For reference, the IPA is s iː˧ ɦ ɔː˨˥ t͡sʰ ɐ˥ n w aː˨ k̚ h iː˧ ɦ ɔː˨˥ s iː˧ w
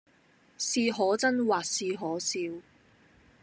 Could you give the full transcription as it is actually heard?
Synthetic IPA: s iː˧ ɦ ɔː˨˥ t͡s ɐ˥ n w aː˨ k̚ s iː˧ ɦ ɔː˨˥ s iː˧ w